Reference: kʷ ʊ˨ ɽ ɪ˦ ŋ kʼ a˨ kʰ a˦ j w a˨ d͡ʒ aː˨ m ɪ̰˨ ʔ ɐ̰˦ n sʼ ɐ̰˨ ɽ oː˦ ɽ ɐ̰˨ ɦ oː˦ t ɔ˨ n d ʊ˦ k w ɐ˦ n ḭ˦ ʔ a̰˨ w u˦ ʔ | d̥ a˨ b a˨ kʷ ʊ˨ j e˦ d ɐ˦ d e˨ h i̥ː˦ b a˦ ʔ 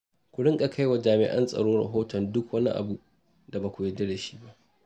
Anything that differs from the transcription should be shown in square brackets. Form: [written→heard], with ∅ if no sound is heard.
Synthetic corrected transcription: kʷ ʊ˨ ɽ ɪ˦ ŋ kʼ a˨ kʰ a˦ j w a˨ d͡ʒ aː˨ m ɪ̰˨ ʔ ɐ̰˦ n sʼ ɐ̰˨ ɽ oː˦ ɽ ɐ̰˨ ɦ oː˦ t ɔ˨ n d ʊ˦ k w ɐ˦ n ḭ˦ ʔ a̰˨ [w→b] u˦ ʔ | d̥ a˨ b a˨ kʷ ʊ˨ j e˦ d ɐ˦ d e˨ [h→ʃ] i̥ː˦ b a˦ ʔ